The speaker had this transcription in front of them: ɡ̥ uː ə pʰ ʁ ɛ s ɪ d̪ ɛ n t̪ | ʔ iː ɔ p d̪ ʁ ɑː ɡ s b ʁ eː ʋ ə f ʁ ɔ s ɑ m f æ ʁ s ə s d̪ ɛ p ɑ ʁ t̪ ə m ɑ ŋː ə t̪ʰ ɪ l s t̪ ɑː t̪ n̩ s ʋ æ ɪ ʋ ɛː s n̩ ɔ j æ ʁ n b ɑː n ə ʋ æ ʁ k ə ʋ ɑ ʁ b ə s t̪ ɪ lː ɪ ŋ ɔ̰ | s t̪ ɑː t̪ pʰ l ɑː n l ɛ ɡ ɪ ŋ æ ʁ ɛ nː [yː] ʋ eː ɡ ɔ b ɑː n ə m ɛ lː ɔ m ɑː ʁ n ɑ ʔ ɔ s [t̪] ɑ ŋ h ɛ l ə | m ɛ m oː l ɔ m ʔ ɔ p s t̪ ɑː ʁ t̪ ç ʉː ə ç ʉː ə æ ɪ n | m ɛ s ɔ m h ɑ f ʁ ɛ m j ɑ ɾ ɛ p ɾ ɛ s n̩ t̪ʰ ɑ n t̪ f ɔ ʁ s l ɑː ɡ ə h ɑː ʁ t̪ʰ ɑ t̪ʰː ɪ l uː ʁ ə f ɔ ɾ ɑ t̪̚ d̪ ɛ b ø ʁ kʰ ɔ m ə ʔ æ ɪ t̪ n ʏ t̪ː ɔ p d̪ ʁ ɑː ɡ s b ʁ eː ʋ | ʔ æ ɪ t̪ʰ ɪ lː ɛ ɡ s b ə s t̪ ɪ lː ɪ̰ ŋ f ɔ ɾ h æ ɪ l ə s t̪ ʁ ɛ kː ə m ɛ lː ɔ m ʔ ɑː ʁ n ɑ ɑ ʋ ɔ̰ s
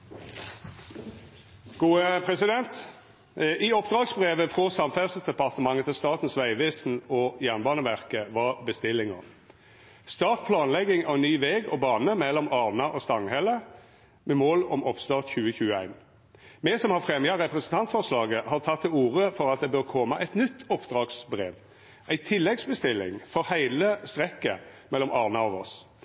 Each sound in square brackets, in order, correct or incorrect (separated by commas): correct, correct